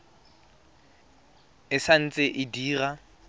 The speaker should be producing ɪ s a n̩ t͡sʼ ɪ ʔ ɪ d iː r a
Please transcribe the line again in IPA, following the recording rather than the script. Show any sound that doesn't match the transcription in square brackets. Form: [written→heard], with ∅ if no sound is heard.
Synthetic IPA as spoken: ɪ s a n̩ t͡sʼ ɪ ʔ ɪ d iː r a